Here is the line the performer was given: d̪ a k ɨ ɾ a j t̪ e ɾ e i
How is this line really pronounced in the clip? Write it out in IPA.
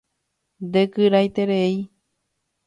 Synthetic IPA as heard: d̪ e k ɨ ɾ a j t̪ e ɾ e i